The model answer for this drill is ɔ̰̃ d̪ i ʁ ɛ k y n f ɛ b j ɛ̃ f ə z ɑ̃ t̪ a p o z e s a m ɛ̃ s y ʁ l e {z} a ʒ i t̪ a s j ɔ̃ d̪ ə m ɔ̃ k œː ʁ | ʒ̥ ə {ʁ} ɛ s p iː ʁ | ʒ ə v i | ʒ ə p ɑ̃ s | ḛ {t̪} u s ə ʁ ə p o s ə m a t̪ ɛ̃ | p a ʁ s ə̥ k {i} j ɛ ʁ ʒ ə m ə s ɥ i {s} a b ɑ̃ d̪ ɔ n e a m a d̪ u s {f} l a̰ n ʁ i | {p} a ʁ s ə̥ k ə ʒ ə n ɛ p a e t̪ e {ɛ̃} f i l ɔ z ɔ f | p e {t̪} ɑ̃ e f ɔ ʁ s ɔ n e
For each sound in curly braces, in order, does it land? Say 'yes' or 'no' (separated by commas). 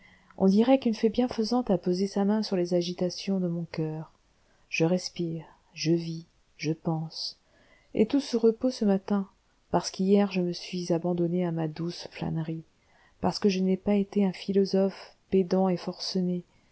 yes, yes, yes, yes, no, yes, yes, yes, no